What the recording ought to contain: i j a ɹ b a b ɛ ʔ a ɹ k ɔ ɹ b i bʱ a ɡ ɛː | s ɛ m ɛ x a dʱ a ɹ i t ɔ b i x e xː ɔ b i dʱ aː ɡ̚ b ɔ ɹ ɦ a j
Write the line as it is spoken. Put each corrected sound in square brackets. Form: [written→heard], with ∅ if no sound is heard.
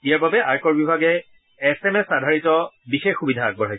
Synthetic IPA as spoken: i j a ɹ b a b ɛ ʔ a ɹ k ɔ ɹ b i bʱ a ɡ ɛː | s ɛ m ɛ [x→s] a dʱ a ɹ i t ɔ b i x e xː [ɔ→u] b i dʱ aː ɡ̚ b ɔ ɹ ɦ a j